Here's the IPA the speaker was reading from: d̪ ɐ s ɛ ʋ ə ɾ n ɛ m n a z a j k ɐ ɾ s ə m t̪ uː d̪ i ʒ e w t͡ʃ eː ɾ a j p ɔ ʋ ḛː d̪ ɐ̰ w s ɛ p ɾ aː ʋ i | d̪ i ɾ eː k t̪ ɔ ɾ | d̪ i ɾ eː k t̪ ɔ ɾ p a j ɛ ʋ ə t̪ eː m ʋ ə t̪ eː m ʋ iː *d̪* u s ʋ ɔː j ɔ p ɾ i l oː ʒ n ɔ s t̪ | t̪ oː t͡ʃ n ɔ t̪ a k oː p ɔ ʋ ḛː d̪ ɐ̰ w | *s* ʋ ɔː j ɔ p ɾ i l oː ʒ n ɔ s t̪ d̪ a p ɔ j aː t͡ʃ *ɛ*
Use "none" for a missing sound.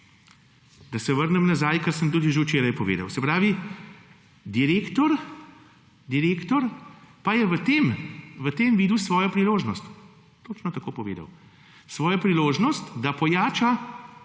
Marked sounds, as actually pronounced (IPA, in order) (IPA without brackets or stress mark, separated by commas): d̪, s, a